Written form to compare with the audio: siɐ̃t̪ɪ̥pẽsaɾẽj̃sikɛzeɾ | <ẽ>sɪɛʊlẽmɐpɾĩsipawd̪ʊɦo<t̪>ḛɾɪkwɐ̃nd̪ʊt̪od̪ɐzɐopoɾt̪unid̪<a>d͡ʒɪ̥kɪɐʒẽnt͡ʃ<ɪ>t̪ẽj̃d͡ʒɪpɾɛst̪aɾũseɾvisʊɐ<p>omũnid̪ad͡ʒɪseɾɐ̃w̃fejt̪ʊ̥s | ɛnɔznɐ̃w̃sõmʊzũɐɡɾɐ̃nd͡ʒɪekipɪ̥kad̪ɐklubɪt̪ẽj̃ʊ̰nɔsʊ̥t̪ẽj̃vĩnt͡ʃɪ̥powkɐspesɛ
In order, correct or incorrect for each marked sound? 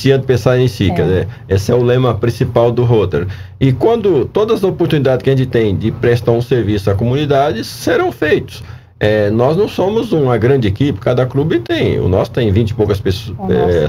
incorrect: e, correct, correct, correct, incorrect: k

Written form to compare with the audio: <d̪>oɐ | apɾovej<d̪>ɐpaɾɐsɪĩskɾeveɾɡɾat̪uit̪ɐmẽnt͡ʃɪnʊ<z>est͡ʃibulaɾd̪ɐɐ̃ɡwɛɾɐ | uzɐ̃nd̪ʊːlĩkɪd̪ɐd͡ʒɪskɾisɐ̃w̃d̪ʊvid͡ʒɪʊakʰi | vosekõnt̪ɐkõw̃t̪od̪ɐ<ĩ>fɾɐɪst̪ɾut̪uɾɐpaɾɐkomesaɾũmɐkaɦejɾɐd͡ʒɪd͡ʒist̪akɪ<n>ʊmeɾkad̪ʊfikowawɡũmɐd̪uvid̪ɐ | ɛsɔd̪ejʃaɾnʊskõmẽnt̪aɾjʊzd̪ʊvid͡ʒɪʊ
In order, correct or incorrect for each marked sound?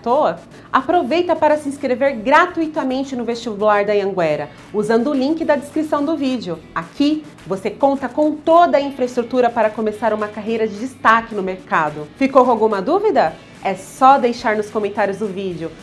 incorrect: t̪, incorrect: t̪, incorrect: v, correct, correct

